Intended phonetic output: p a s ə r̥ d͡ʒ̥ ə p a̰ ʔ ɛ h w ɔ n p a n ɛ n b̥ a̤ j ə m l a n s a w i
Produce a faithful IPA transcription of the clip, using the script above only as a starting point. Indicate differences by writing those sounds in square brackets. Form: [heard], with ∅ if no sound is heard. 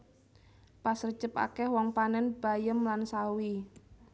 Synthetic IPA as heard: p a s ə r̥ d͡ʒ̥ ə p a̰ [k] ɛ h w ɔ [ŋ] p a n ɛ n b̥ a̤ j ə m l a n s a w i